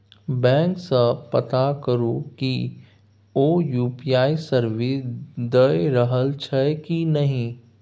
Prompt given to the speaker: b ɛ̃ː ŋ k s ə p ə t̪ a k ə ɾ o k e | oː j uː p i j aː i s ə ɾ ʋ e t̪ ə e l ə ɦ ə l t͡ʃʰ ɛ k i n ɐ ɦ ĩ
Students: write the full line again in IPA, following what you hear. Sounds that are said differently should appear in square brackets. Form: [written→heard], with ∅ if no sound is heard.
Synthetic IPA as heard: b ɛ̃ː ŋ k s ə p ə t̪ a k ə ɾ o k [e→i] | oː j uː p i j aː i s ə ɾ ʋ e [t̪→d̪] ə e [l→ɾ] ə ɦ ə l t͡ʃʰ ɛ k i n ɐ ɦ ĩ